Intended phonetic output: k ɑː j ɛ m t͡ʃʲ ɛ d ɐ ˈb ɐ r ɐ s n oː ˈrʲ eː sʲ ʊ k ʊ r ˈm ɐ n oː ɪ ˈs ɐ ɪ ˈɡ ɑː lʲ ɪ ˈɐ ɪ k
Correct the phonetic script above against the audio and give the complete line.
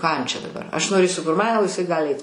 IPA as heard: k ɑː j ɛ m t͡ʃʲ ɛ d ɐ ˈb ɐ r ɐ ʃ n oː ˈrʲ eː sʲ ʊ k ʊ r ˈm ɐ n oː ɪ ˈs ɐ ɪ ˈɡ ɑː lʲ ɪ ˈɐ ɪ t